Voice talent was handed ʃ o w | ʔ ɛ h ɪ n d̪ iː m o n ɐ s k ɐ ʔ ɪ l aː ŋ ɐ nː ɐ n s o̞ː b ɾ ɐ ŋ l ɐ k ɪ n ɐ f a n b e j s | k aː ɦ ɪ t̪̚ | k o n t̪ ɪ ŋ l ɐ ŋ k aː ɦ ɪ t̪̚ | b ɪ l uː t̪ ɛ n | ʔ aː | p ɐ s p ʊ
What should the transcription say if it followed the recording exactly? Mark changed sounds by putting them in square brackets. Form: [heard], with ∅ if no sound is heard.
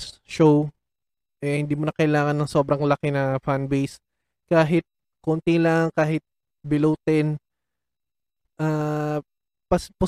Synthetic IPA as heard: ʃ o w | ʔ ɛ h ɪ n d̪ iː m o n ɐ [∅] k ɐ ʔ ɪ l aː ŋ ɐ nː ɐ [ŋ] s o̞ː b ɾ ɐ ŋ l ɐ k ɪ n ɐ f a n b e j s | k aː ɦ ɪ t̪̚ | k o n t̪ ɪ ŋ l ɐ ŋ k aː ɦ ɪ t̪̚ | b ɪ l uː t̪ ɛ n | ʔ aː | p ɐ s p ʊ